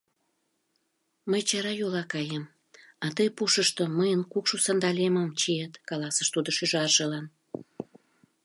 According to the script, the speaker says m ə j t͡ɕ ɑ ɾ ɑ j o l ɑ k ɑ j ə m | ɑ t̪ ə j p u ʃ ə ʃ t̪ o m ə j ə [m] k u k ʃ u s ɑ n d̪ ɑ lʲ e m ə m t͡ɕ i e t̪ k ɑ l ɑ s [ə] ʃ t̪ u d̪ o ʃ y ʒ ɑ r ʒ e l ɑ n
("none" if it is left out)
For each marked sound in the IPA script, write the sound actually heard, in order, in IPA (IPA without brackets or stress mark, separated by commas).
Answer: n, ə